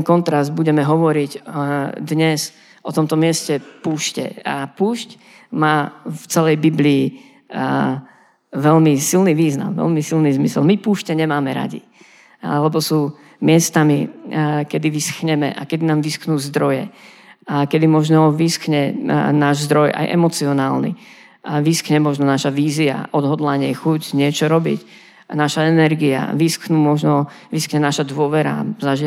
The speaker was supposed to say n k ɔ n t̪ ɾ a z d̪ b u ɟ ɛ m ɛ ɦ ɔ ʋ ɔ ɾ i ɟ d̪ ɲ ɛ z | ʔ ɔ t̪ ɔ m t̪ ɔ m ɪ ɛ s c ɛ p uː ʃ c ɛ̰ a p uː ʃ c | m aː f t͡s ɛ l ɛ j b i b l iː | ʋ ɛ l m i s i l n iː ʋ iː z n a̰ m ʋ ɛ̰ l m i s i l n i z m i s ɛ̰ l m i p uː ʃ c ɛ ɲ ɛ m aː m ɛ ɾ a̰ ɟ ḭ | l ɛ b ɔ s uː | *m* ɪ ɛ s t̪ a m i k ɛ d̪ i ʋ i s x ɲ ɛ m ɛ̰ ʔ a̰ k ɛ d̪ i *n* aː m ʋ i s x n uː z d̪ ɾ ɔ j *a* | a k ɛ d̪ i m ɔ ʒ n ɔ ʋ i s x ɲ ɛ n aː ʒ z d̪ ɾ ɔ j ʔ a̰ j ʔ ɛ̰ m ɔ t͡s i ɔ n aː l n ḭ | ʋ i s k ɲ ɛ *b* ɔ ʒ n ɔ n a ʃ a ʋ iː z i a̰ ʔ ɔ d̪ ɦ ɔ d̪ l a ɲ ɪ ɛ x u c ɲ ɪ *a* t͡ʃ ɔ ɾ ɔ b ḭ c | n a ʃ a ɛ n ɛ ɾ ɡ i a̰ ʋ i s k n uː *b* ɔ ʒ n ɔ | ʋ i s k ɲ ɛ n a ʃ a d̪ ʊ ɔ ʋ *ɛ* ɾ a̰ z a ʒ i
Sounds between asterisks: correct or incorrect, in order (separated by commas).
correct, correct, incorrect, incorrect, incorrect, incorrect, correct